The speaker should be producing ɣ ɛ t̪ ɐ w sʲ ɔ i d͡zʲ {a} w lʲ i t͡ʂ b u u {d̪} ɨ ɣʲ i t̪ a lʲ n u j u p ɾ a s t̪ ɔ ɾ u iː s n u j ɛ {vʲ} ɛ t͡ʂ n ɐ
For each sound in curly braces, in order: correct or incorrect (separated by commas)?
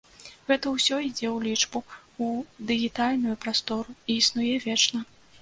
incorrect, correct, correct